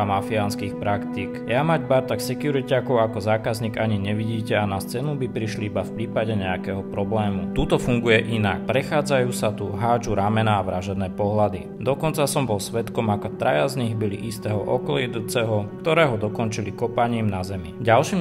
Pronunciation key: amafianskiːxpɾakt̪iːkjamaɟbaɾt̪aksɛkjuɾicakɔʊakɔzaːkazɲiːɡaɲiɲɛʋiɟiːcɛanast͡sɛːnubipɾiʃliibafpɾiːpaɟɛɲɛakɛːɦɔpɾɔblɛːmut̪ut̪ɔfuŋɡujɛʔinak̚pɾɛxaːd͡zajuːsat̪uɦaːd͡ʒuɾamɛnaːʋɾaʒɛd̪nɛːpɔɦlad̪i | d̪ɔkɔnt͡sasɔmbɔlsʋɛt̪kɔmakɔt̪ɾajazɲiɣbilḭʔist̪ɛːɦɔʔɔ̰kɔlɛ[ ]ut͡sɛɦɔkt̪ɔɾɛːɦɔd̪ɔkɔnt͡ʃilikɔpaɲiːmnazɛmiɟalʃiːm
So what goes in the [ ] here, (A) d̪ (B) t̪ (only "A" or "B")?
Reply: A